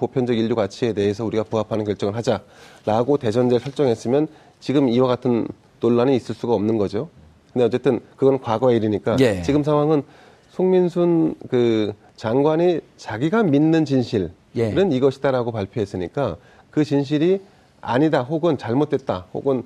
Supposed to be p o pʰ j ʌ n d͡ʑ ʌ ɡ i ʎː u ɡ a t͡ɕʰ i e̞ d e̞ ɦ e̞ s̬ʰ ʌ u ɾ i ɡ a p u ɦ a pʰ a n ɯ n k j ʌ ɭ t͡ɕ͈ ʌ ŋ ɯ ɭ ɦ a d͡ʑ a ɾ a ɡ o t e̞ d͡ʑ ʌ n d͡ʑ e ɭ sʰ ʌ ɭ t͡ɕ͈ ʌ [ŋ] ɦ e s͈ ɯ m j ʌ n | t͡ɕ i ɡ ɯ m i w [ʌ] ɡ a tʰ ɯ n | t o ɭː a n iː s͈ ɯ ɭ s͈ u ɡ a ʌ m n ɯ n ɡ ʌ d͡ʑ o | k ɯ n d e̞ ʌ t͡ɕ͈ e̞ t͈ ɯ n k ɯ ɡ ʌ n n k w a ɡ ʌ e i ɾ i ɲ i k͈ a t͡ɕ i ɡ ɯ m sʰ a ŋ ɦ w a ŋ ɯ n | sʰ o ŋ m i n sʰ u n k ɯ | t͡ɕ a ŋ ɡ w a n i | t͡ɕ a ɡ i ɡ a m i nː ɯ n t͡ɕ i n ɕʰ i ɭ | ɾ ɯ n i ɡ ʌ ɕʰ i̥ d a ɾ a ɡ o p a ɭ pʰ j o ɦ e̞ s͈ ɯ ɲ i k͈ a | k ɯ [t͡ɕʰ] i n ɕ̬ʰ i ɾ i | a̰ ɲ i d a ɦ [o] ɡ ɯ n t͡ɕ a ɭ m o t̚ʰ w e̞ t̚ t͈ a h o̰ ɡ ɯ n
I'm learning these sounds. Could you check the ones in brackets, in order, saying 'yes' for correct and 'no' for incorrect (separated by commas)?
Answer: yes, no, no, yes